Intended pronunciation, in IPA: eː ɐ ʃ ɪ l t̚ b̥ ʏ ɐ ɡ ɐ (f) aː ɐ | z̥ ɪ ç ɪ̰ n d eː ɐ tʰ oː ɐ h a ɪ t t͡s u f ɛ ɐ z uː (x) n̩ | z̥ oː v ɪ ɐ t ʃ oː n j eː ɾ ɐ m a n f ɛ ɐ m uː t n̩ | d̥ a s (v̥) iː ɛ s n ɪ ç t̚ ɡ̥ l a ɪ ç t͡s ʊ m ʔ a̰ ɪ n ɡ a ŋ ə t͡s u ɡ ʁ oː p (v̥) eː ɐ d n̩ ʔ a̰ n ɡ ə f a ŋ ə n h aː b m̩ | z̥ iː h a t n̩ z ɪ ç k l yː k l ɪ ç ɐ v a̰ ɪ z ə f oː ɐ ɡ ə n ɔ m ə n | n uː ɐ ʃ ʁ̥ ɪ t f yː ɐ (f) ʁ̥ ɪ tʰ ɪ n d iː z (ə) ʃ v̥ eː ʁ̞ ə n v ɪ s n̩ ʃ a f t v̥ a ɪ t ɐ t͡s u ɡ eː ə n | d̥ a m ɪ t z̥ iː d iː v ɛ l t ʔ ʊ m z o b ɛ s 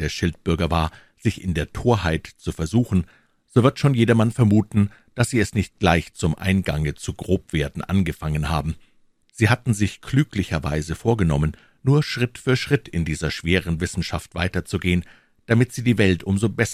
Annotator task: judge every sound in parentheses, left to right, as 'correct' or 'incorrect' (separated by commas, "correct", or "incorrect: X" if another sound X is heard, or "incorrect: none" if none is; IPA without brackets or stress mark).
incorrect: v, correct, incorrect: z̥, correct, incorrect: ʃ, incorrect: ɐ